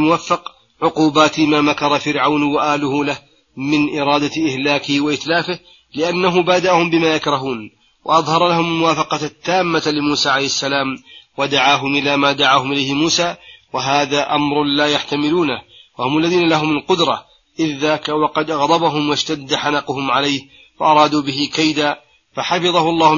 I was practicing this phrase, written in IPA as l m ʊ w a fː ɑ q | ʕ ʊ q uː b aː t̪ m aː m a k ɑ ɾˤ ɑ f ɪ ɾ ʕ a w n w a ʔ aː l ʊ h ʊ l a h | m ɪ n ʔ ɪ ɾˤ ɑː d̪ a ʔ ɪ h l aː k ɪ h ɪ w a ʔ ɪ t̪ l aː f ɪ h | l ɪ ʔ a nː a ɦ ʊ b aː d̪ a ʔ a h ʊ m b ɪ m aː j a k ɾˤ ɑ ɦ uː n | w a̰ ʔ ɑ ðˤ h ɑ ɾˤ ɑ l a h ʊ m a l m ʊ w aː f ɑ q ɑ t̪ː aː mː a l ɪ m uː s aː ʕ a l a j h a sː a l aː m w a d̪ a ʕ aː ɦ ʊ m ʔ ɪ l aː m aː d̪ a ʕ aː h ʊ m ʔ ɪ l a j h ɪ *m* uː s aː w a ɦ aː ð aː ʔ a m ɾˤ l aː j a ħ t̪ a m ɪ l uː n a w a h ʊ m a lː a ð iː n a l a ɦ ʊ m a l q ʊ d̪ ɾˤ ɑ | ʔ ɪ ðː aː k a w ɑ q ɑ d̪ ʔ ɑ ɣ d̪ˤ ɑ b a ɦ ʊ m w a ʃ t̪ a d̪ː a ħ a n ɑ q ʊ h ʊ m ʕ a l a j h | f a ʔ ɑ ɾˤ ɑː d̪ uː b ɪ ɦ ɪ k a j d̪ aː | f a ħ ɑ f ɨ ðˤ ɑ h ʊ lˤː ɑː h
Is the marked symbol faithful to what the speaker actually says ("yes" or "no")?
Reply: yes